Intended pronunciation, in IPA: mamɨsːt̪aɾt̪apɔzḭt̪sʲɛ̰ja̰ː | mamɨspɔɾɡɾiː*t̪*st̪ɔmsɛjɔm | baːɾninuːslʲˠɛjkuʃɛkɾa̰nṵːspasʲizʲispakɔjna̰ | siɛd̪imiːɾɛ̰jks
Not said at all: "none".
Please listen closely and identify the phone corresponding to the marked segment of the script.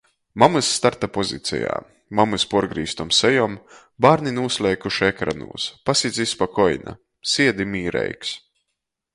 none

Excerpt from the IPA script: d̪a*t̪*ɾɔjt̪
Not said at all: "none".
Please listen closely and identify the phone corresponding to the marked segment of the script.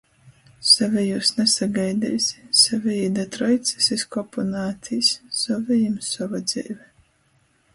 t̪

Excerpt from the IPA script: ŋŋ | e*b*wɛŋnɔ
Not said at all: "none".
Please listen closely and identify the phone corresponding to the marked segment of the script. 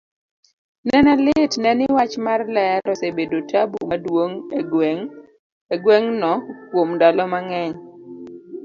ɡ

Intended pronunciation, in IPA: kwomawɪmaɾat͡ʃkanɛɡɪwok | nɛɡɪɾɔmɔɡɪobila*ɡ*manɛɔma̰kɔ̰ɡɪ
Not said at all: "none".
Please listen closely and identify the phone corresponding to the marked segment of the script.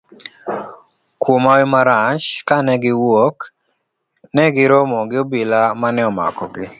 none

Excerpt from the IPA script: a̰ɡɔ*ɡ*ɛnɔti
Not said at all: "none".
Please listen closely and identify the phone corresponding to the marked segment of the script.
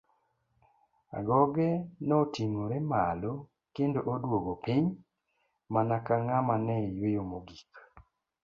ɡ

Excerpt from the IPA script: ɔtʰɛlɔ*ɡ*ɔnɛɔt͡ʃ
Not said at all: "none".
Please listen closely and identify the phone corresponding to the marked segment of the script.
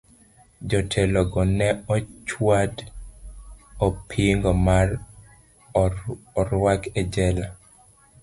ɡ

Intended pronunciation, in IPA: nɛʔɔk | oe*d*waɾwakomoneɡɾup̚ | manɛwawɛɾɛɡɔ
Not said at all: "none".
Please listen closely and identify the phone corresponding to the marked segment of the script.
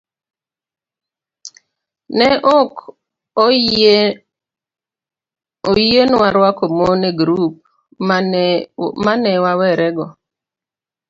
n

